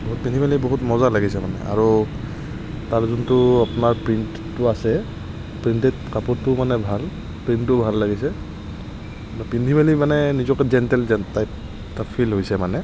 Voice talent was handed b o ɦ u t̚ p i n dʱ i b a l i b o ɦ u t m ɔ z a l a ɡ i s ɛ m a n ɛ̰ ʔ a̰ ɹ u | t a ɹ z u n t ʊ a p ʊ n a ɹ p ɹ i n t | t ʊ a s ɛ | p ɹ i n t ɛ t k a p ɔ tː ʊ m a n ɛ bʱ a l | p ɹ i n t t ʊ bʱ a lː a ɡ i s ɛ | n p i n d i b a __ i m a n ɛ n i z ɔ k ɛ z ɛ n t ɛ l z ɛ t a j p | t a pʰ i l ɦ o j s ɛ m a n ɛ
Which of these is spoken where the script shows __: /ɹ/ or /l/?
l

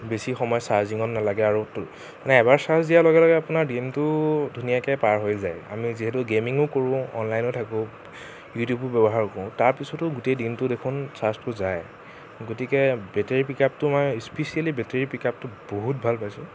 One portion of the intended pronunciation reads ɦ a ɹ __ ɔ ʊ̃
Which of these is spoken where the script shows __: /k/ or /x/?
k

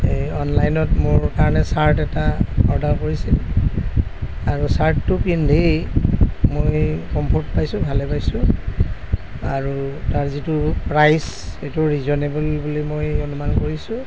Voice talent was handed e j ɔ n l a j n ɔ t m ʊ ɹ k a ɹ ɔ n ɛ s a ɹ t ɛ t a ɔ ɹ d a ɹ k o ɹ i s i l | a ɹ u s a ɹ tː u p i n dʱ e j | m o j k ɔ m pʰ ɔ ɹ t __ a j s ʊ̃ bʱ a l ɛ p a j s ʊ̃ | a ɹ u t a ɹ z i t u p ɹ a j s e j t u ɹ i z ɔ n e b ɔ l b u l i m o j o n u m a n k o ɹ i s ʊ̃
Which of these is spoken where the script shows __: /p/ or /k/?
p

